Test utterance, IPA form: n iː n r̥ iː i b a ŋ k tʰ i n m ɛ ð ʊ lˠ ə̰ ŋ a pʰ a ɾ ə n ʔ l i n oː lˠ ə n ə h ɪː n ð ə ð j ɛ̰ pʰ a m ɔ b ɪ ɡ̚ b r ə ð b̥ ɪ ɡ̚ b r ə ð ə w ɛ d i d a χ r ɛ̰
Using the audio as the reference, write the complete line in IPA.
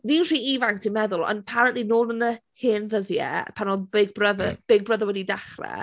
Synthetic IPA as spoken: n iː n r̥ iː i v a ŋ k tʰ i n m ɛ ð ʊ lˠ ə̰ n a pʰ a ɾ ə n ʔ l i n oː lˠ ə n ə h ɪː n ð ə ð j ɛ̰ pʰ a n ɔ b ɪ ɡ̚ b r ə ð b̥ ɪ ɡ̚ b r ə ð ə w ɛ d i d a χ r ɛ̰

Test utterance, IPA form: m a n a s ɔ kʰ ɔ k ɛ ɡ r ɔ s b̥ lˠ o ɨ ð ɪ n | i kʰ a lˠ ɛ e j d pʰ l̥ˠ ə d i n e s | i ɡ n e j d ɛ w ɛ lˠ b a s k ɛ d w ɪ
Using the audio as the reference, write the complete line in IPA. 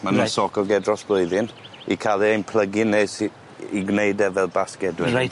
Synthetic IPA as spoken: m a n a s ɔ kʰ ɔ ɡ ɛ d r ɔ s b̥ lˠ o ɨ ð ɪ n | i kʰ a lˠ i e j n pʰ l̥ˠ ə ɡ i n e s | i ɡ n e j d ɛ v ɛ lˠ b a s k ɛ d w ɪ

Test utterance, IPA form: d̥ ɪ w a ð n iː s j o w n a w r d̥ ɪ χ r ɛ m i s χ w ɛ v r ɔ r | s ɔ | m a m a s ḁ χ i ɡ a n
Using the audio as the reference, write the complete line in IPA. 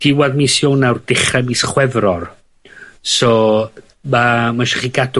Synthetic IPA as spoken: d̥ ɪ w a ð m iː s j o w n a w r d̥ ɪ χ r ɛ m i s χ w ɛ v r ɔ r | s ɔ | m a m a ʃ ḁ χ i ɡ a d

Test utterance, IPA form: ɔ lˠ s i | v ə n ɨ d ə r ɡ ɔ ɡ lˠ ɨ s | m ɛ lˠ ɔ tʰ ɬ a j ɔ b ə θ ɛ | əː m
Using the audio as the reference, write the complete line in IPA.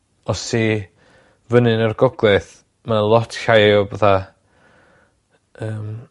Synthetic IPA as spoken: ɔ s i | v ə n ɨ n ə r ɡ ɔ ɡ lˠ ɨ θ | m a lˠ ɔ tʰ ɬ a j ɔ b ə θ a | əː m

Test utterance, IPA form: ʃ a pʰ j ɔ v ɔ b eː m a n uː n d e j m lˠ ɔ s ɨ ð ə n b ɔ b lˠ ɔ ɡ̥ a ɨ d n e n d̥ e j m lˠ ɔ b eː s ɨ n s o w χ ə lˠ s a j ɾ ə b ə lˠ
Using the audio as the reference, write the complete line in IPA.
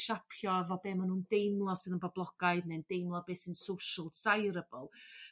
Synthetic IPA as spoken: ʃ a pʰ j ɔ v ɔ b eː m a n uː n d e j m lˠ ɔ s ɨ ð ə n b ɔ b lˠ ɔ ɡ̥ a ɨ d n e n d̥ e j m lˠ ɔ b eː s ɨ n s o w ʃ ə lˠ s a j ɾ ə b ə lˠ

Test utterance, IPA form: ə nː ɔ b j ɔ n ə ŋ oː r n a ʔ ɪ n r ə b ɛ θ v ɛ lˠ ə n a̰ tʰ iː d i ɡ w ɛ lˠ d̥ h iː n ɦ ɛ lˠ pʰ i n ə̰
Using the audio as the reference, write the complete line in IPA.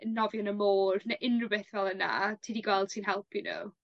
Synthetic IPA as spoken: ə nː ɔ v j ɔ n ə m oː r n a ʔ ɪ n r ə b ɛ θ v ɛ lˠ ə n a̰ tʰ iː d i ɡ w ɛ lˠ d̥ s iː n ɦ ɛ lˠ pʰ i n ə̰

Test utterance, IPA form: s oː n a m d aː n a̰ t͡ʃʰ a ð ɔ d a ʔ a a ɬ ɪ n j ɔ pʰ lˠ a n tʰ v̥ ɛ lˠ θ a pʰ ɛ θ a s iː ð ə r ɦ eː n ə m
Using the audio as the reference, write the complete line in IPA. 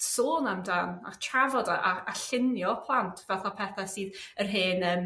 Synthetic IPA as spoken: s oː n a m d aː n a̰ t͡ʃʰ a v ɔ d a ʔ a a ɬ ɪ n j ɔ pʰ lˠ a n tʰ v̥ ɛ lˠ θ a pʰ ɛ θ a s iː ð ə r ɦ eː n ə m

